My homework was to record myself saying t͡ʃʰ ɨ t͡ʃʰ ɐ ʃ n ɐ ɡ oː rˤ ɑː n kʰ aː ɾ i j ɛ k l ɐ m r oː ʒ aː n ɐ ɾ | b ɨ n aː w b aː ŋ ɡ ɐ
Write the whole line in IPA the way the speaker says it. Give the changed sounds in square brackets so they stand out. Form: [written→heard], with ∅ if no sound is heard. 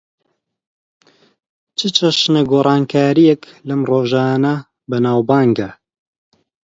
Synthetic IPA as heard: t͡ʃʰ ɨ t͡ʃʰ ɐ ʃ n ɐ ɡ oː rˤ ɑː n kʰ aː ɾ i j ɛ k l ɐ m r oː ʒ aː n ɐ [ɾ→∅] | b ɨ n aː w b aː ŋ ɡ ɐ